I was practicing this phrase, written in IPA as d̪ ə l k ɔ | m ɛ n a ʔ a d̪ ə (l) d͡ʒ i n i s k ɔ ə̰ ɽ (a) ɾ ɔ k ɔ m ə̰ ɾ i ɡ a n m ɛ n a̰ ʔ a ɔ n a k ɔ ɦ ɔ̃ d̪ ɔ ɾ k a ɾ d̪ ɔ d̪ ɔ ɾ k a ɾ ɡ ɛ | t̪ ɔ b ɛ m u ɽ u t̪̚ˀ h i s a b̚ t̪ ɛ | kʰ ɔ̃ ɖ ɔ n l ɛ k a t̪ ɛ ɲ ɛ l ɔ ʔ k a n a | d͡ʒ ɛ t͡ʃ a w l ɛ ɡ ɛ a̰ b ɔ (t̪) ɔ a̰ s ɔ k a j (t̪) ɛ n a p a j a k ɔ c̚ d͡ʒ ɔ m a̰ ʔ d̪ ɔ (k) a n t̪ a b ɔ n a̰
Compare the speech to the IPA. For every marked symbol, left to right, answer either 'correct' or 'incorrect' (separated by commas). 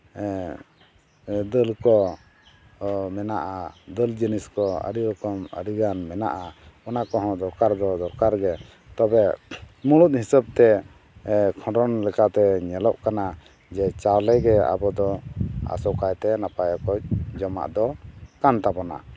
correct, incorrect, incorrect, correct, correct